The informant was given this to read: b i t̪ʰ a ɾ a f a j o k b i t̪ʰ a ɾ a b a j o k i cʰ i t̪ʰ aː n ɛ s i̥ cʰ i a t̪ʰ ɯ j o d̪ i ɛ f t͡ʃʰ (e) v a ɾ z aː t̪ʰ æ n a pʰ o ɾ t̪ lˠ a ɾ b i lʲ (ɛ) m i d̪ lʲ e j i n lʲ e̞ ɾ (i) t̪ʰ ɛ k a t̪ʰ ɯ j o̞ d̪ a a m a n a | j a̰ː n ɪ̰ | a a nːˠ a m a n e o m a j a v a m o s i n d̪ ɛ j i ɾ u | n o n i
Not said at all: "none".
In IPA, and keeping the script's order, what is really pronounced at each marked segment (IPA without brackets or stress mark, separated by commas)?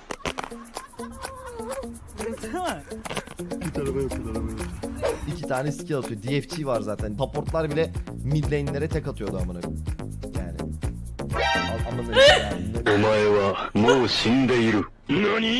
i, ɛ, ɛ